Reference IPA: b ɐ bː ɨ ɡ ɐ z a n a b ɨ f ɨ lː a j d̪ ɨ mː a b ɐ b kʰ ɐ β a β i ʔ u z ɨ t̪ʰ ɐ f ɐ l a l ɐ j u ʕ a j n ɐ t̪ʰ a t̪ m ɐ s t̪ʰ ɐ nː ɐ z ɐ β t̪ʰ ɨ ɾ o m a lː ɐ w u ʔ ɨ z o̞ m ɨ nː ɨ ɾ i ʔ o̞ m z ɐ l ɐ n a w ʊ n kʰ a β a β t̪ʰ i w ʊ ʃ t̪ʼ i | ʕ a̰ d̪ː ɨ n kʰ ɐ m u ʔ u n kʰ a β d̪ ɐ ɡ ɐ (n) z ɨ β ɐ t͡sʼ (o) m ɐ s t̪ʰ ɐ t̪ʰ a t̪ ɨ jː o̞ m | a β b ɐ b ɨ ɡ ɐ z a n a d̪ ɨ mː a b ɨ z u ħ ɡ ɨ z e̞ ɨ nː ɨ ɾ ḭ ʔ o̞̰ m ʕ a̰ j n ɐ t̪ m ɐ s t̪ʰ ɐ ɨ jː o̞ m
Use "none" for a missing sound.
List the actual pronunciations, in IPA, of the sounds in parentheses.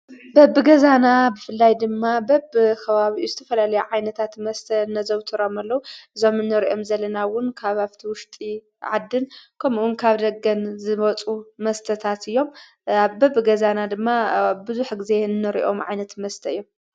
n, u

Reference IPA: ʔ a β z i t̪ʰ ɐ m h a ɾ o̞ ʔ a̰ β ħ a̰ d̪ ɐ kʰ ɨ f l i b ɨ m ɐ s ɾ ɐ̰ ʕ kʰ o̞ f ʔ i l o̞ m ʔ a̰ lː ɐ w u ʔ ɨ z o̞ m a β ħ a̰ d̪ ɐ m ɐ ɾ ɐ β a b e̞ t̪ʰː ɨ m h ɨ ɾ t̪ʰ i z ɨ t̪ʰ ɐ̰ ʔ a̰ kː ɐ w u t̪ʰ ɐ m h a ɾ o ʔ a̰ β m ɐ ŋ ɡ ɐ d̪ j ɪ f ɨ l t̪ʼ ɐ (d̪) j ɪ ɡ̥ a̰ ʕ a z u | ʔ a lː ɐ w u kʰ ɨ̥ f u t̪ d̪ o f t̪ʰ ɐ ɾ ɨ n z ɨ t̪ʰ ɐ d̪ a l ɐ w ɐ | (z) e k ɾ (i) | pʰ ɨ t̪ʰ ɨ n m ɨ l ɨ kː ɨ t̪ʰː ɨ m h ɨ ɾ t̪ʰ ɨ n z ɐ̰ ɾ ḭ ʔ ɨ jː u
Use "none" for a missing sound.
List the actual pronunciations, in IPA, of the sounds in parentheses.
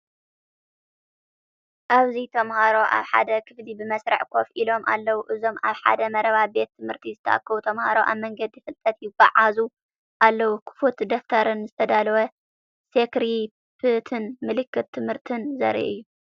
t̪, s, i

